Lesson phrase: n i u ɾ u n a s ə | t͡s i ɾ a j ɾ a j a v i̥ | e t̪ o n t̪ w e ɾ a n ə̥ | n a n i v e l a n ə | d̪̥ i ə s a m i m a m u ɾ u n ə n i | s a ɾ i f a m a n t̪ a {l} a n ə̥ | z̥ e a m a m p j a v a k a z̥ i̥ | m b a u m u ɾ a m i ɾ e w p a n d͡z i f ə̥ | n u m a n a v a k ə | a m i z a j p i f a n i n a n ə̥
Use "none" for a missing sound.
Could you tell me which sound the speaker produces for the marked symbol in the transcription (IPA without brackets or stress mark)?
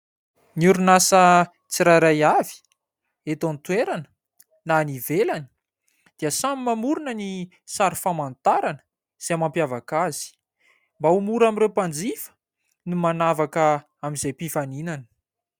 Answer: ɾ